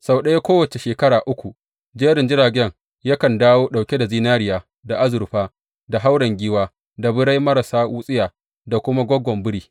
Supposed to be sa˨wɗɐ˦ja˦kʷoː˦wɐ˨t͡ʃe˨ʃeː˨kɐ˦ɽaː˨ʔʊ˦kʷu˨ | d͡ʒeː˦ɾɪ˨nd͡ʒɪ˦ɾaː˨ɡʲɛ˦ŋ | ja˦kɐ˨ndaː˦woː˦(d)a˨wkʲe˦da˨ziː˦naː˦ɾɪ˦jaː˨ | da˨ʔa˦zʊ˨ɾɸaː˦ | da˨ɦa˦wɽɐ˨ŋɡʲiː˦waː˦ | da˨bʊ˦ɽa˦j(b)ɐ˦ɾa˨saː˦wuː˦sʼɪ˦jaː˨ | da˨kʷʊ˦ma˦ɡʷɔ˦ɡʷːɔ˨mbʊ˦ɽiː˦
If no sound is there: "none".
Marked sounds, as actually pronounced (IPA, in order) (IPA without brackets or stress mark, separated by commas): ɗ, m